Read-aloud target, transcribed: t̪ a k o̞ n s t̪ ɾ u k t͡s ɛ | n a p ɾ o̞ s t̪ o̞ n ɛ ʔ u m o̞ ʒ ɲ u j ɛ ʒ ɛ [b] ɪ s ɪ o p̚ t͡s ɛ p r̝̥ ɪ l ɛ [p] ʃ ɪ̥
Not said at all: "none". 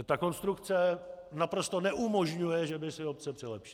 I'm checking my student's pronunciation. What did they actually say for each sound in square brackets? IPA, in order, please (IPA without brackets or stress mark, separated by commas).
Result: b, p